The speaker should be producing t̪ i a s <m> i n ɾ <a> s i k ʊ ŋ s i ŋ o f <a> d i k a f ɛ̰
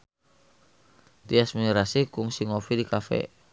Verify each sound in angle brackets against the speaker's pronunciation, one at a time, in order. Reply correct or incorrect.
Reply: correct, correct, incorrect: i

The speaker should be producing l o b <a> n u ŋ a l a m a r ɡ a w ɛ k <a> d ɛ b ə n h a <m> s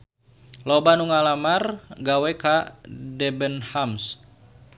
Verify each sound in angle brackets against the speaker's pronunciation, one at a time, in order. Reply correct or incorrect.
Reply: correct, correct, correct

